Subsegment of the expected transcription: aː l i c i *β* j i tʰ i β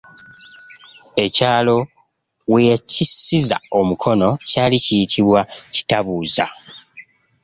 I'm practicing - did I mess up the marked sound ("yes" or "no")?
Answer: yes